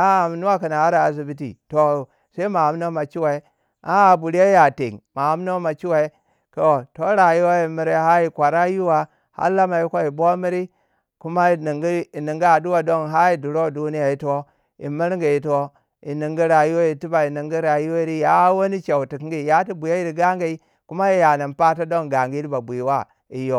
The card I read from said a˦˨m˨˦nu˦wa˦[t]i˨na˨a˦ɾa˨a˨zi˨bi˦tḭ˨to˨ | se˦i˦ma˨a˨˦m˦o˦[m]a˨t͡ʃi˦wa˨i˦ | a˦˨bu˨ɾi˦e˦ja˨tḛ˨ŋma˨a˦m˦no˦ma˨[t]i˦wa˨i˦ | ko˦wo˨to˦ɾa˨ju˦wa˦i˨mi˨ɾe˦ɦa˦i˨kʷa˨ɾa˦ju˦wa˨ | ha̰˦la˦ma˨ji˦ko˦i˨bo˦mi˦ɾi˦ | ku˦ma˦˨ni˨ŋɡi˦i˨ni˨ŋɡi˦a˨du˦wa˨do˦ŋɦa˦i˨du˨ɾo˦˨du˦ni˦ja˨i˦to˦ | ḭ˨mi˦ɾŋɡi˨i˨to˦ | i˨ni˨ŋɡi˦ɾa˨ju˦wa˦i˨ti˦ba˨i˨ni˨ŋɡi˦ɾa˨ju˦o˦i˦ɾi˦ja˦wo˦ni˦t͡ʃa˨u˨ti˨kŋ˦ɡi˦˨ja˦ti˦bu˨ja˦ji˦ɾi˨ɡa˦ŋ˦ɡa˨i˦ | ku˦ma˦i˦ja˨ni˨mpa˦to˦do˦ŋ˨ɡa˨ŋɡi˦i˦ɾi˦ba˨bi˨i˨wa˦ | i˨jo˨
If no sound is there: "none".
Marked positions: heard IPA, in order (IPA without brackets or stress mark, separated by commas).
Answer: k, m, t͡ʃ